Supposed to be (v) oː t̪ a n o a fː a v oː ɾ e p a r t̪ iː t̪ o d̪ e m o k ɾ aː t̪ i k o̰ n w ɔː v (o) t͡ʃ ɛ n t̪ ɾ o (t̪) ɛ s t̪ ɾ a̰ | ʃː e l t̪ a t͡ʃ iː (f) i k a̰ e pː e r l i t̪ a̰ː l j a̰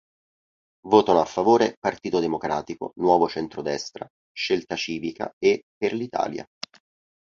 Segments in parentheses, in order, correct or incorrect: correct, correct, incorrect: d̪, incorrect: v

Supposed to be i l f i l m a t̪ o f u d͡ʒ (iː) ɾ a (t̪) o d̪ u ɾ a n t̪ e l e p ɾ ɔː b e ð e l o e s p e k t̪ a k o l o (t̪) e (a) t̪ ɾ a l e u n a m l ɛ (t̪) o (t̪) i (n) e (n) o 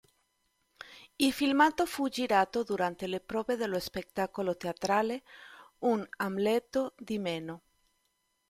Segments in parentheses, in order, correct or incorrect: incorrect: i, correct, correct, correct, correct, incorrect: d̪, incorrect: m, correct

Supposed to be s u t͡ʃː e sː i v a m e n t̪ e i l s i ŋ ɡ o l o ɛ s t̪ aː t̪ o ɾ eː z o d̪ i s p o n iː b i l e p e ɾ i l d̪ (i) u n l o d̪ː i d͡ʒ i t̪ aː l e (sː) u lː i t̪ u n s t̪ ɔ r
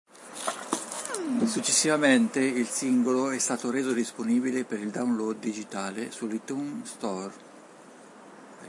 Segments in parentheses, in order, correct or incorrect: incorrect: a, incorrect: s

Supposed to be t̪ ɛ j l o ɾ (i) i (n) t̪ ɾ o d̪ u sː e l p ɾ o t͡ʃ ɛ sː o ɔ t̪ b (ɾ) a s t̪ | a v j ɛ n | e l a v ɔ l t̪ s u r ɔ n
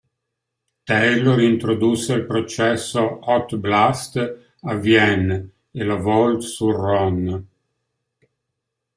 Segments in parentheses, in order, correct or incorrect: correct, correct, incorrect: l

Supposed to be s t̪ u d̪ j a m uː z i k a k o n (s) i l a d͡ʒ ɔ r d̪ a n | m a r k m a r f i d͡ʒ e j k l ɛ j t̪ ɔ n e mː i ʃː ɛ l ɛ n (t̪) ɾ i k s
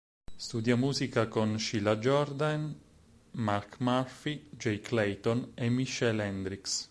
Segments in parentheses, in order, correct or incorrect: incorrect: ʃ, incorrect: d̪

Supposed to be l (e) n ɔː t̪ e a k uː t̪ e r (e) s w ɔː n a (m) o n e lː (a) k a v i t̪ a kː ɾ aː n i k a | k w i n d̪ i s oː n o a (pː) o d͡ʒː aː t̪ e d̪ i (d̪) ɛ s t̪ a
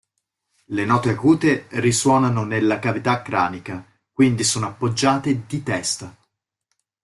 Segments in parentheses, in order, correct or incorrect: correct, incorrect: i, incorrect: n, correct, correct, incorrect: t̪

